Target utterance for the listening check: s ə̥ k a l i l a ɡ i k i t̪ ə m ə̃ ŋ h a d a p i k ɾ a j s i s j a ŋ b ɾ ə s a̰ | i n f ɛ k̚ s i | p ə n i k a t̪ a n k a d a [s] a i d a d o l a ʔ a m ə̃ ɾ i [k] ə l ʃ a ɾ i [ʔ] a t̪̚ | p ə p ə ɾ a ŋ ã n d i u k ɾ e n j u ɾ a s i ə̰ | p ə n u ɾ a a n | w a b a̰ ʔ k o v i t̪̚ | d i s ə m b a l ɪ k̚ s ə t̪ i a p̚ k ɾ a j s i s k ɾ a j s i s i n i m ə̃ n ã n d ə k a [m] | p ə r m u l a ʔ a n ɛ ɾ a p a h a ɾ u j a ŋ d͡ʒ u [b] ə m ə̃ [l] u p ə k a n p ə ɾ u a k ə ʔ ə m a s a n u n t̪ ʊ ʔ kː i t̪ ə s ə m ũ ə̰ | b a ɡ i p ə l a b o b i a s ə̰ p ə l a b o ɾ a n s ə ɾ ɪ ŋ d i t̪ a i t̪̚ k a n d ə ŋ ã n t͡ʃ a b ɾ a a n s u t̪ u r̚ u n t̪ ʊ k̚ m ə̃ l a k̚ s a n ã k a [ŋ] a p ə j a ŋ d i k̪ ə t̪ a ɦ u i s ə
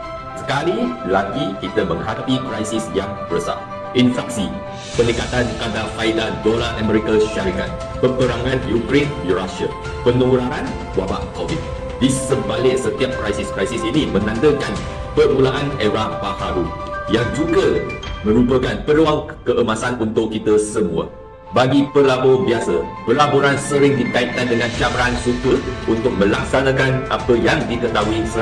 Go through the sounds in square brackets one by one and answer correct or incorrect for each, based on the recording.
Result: incorrect: f, correct, incorrect: k, incorrect: n, incorrect: ɡ, incorrect: ɾ, incorrect: n

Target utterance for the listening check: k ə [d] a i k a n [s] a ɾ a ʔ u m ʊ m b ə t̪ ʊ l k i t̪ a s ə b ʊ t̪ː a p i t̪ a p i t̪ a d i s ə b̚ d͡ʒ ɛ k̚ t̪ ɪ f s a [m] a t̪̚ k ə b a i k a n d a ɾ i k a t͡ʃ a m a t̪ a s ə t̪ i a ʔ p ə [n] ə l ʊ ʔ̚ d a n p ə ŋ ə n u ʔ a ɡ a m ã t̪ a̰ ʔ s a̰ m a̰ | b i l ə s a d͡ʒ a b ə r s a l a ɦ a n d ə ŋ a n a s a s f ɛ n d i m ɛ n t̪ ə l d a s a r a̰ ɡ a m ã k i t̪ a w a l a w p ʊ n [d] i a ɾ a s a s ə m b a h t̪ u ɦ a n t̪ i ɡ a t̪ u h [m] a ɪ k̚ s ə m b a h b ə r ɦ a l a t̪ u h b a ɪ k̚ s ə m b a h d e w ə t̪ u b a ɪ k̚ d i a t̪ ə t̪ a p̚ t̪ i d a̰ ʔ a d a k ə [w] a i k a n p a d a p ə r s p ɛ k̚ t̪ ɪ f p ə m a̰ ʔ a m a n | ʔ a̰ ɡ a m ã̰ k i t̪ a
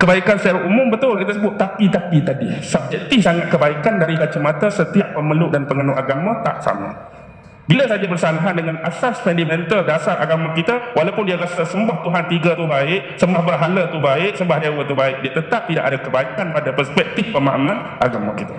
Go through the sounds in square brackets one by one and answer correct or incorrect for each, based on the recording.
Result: incorrect: b, correct, incorrect: ŋ, incorrect: m, correct, incorrect: b, incorrect: b

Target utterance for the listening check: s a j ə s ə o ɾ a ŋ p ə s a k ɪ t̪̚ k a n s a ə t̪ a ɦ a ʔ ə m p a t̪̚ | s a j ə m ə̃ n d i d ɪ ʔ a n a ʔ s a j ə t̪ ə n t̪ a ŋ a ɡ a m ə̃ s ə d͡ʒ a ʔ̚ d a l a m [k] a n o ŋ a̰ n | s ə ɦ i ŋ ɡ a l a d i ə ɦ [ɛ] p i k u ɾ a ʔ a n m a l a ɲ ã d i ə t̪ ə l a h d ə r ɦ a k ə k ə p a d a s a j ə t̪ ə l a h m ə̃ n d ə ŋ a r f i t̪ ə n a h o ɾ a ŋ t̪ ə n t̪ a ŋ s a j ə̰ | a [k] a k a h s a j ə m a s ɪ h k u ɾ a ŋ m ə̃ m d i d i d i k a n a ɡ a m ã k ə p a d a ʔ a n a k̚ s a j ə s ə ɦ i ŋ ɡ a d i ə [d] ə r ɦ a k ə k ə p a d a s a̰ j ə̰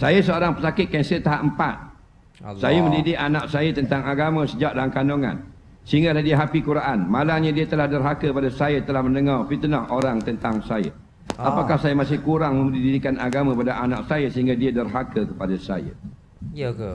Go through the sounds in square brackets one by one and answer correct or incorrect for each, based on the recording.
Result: correct, incorrect: a, incorrect: p, correct

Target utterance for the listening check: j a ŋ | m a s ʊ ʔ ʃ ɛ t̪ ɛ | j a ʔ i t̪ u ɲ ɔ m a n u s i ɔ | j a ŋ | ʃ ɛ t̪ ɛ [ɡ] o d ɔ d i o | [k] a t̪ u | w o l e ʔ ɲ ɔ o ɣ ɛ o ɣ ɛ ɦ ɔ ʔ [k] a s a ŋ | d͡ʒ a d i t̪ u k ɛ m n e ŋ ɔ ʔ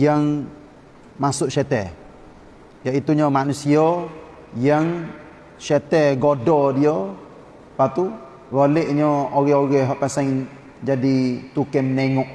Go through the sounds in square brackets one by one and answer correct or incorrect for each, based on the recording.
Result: correct, incorrect: p, incorrect: p

